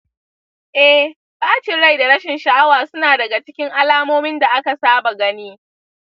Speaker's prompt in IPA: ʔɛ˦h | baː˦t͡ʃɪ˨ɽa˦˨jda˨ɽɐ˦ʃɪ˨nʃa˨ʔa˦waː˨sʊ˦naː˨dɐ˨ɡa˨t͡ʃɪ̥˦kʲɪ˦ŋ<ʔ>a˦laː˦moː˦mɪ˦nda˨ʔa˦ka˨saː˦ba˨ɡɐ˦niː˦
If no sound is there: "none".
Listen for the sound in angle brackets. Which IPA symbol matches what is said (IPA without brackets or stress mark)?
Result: ʔ